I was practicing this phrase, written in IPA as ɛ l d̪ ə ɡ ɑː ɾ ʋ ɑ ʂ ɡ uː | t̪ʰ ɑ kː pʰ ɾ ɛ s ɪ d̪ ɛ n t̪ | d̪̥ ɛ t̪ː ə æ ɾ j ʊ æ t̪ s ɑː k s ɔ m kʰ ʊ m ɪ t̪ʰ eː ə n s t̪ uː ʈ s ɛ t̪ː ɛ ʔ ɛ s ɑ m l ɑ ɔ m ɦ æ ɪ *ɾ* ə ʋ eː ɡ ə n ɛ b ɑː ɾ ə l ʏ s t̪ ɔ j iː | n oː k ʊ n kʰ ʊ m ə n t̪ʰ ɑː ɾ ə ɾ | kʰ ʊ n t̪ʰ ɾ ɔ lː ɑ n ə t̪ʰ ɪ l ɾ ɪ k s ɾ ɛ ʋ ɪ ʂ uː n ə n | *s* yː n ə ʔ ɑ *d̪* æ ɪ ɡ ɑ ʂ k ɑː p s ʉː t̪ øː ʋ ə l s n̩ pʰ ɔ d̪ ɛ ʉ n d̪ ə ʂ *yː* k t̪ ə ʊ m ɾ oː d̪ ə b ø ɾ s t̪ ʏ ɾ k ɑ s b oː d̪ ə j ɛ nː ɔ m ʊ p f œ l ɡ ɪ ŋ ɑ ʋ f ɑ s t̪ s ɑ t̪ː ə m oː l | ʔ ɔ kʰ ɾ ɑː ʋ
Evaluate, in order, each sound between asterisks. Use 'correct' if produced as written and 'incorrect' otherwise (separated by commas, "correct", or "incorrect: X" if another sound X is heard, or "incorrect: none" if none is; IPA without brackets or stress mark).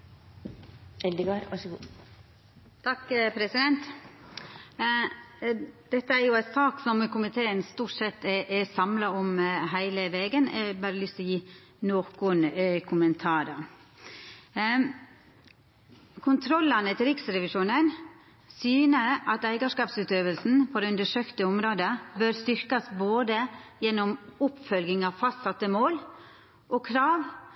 incorrect: l, correct, incorrect: t̪, incorrect: øː